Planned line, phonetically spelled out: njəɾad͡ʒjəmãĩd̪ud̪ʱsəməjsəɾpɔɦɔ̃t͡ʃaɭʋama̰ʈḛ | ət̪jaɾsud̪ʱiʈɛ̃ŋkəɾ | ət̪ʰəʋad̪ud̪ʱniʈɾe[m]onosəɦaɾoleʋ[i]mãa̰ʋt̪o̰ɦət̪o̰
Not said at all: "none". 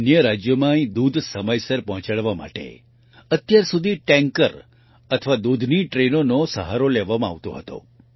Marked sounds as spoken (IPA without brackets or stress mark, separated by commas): n, a